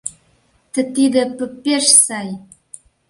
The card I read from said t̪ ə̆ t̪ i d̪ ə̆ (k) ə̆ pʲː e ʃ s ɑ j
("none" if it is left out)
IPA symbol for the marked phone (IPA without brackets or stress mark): p